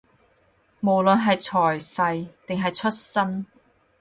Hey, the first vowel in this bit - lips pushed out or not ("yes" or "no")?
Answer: yes